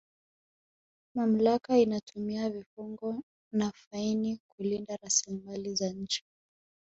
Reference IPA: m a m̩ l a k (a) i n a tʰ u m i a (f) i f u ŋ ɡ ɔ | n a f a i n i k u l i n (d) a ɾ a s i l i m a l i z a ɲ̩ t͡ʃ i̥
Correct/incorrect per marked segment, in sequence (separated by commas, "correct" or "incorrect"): correct, incorrect, correct